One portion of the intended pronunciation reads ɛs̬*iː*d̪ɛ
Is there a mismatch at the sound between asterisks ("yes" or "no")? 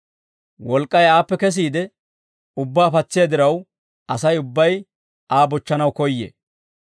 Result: no